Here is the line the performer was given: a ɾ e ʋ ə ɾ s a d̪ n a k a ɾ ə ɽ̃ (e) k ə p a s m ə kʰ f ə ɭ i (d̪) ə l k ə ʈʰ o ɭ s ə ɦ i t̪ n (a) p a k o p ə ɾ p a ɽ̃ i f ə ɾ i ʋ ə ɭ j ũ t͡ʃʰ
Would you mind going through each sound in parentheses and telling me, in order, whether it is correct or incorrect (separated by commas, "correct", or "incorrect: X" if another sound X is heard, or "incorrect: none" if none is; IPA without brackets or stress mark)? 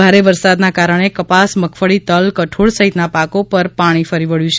correct, incorrect: t̪, correct